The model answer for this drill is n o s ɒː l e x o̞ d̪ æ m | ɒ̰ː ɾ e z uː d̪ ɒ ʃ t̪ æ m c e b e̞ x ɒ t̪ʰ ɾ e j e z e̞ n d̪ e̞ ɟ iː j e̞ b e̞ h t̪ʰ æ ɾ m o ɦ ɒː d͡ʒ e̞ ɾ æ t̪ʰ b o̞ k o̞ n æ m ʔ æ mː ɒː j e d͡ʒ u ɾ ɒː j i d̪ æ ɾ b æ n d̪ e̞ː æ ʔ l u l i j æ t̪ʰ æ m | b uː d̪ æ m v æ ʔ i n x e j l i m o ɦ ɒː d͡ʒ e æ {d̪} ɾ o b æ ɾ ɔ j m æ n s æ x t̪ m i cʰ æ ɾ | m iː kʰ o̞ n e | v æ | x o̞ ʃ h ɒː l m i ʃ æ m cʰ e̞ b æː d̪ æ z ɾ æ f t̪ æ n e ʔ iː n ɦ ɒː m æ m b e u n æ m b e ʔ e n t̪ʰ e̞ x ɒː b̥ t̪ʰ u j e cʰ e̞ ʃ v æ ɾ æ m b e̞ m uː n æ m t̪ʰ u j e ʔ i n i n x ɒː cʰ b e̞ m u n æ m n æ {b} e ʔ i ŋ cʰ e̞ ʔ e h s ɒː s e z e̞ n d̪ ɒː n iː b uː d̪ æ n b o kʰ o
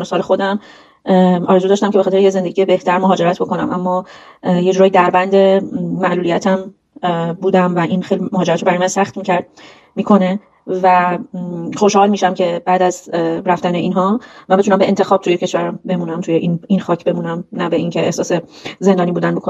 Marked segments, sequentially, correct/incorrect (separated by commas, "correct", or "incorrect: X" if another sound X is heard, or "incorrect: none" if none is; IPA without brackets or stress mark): incorrect: t̪, correct